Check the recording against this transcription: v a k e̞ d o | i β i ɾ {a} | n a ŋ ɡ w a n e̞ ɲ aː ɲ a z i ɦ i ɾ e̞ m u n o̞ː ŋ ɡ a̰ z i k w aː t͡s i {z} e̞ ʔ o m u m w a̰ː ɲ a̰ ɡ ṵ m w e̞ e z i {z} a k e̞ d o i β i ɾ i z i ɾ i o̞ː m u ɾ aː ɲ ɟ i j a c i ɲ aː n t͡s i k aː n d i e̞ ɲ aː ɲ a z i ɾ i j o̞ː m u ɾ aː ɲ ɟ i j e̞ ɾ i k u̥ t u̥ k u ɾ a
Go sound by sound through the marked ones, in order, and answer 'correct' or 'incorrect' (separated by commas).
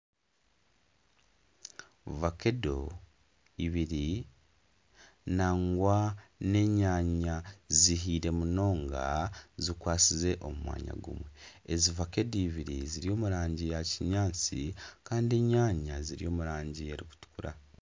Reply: incorrect, correct, incorrect